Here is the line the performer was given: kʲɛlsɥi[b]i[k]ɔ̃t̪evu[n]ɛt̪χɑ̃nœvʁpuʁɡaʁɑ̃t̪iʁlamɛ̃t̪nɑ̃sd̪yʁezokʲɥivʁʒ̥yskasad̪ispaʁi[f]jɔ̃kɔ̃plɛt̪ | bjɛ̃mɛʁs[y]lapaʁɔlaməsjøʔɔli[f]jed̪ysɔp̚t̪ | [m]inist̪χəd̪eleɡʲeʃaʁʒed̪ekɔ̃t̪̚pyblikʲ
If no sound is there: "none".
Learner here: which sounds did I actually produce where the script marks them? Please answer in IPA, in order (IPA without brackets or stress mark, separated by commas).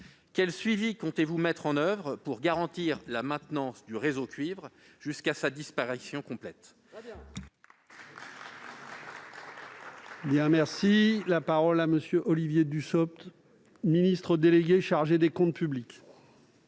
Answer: v, k, m, s, i, v, m